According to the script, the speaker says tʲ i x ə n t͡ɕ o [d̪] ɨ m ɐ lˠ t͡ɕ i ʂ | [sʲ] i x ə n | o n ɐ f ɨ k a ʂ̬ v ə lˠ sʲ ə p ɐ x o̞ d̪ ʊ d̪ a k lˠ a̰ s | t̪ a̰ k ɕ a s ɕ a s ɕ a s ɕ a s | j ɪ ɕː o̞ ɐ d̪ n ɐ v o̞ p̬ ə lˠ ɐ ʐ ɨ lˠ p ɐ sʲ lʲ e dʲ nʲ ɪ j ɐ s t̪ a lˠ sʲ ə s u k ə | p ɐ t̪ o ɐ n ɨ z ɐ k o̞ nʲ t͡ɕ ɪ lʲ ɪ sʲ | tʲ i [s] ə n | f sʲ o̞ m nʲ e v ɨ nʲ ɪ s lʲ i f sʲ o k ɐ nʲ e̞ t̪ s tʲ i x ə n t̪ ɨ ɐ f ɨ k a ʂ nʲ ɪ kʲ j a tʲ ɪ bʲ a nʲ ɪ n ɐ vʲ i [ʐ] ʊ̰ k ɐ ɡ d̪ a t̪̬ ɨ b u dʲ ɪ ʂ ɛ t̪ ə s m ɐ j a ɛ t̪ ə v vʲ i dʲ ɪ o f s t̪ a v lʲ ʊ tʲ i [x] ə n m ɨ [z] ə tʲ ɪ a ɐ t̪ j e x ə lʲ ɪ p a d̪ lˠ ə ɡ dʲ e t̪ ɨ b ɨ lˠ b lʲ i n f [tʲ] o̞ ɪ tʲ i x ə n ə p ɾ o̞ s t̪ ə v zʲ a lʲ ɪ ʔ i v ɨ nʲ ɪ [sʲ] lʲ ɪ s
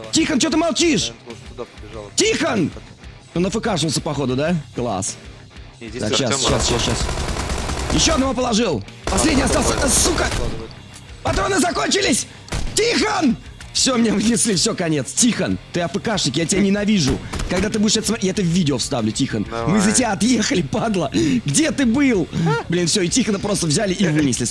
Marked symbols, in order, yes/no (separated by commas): no, no, no, yes, yes, yes, no, yes